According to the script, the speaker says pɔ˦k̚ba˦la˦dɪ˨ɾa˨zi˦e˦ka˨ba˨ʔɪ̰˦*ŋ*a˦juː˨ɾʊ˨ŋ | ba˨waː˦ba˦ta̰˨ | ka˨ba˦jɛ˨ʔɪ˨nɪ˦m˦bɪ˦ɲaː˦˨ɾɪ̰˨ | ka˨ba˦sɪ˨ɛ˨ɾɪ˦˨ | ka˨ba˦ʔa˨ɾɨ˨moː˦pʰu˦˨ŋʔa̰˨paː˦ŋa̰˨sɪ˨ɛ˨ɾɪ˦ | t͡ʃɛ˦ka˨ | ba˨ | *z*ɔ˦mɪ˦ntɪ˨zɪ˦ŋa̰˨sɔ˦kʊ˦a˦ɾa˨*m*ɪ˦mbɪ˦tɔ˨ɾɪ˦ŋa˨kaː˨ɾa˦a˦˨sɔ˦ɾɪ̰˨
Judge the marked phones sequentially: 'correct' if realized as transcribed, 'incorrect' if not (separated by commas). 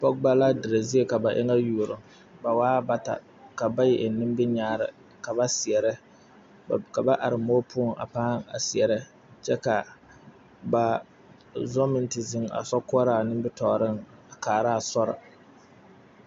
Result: correct, correct, incorrect